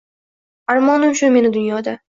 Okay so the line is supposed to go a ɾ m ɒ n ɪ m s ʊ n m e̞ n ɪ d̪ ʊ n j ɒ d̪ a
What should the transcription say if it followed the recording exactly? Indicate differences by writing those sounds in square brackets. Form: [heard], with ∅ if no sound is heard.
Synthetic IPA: a ɾ m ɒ n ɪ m [ʃ] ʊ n m e̞ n ɪ d̪ ʊ n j ɒ d̪ a